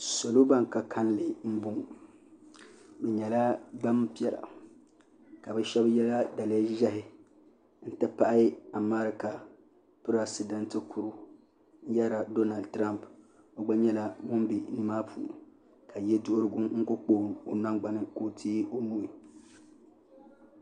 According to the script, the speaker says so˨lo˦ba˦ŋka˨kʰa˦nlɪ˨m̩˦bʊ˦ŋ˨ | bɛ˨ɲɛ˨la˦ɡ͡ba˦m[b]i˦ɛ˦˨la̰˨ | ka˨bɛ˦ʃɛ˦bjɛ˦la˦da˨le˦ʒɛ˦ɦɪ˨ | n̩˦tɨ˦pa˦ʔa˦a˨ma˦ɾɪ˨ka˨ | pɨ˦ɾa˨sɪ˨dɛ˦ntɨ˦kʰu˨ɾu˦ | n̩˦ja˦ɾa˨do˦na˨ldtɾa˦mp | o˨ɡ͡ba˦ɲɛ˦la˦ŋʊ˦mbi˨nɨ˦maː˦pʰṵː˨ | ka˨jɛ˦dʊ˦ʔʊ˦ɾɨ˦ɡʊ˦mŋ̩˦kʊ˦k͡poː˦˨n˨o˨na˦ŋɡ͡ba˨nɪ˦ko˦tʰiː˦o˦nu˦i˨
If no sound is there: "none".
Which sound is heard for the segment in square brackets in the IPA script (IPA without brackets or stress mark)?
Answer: p